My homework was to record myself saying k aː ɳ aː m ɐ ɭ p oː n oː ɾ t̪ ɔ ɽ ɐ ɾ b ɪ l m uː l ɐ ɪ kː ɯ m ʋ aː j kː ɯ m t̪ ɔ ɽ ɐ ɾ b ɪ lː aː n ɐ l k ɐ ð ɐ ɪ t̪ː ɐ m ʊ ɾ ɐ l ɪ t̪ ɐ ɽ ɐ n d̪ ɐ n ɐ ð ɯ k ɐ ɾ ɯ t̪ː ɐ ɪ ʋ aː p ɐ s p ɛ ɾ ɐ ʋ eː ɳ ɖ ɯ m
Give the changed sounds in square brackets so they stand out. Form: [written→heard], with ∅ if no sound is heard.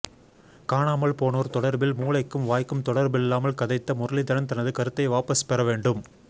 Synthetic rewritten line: k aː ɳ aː m ɐ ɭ p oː n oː ɾ t̪ ɔ ɽ ɐ ɾ b ɪ l m uː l ɐ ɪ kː ɯ m ʋ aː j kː ɯ m t̪ ɔ ɽ ɐ ɾ b ɪ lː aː [n→m] ɐ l k ɐ ð ɐ ɪ t̪ː ɐ m ʊ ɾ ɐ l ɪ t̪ ɐ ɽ ɐ n [d̪→t̪] ɐ n ɐ ð ɯ k ɐ ɾ ɯ t̪ː ɐ ɪ ʋ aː p ɐ s p ɛ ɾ ɐ ʋ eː ɳ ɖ ɯ m